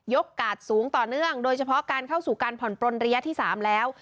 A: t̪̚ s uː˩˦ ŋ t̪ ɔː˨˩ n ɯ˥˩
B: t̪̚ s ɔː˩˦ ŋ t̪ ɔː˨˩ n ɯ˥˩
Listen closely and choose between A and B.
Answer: A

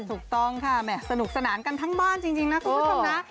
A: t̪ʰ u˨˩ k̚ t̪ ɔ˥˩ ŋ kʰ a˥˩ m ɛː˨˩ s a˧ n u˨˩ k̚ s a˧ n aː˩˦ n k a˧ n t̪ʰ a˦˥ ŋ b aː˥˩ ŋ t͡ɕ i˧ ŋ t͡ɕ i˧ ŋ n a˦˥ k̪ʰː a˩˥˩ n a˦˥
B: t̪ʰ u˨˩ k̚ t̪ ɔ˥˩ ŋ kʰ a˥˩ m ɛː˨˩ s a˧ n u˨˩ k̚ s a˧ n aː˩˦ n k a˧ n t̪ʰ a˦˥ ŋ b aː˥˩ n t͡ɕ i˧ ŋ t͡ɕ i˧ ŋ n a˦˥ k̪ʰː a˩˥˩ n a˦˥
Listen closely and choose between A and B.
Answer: B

